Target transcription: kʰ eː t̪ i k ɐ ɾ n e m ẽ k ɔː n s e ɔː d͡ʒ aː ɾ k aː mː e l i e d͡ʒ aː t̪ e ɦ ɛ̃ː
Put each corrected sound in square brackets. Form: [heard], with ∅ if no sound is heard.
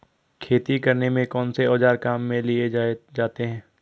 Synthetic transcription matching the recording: kʰ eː t̪ i k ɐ ɾ n e m ẽ k ɔː n s e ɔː d͡ʒ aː ɾ k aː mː [ẽ] l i e d͡ʒ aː t̪ e ɦ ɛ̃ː